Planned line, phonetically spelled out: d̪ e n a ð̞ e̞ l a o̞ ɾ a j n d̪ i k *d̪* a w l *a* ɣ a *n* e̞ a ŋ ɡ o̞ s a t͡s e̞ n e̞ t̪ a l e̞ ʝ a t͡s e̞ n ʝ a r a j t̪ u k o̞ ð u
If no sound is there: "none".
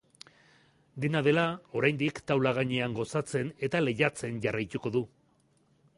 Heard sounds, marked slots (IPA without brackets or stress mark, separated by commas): t̪, a, ɲ